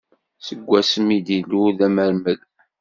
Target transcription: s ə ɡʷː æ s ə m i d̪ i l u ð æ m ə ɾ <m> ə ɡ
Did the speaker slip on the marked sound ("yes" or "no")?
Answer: no